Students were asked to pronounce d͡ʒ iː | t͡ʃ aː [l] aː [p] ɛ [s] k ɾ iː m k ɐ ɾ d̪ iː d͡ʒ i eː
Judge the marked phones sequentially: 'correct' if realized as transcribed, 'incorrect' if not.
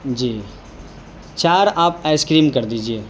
incorrect: ɾ, correct, correct

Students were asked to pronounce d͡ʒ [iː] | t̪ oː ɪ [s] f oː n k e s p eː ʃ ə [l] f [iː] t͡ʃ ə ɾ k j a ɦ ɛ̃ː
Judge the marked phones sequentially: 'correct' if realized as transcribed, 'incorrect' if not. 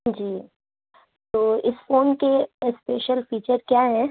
correct, correct, correct, correct

